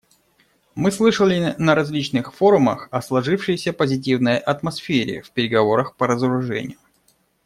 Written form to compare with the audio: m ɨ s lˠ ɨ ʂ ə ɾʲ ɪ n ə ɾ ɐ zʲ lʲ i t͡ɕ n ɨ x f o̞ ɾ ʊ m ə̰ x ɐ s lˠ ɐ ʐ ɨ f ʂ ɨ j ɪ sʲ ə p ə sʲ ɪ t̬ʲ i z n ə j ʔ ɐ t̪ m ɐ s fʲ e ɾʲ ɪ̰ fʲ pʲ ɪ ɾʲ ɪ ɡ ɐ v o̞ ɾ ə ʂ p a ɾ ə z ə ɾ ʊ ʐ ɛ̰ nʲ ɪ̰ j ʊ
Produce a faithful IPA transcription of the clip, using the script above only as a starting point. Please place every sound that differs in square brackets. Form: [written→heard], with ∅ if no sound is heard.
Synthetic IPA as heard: m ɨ s lˠ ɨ ʂ ə [ɾʲ→lʲ] ɪ n ə ɾ ɐ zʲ lʲ i t͡ɕ n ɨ x f o̞ ɾ ʊ m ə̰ x ɐ s lˠ ɐ ʐ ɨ f ʂ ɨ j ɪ sʲ ə p ə [sʲ→zʲ] ɪ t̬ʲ i [z→v] n ə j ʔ ɐ t̪ m ɐ s fʲ e ɾʲ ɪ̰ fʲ pʲ ɪ ɾʲ ɪ ɡ ɐ v o̞ ɾ ə [ʂ→x] p [a→ə] ɾ ə z ə ɾ ʊ ʐ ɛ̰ nʲ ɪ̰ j ʊ